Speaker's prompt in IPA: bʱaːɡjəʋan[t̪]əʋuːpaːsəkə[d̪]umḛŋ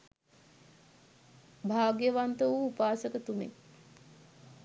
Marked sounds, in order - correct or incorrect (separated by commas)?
correct, incorrect